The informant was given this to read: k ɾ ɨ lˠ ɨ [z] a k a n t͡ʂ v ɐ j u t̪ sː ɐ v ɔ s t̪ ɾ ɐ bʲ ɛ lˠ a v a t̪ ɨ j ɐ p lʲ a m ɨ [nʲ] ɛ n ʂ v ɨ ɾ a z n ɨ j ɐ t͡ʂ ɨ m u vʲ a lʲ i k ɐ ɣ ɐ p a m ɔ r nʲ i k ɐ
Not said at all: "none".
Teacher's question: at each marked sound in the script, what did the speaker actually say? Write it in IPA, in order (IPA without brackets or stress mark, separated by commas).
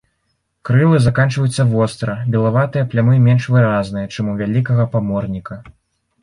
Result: z, mʲ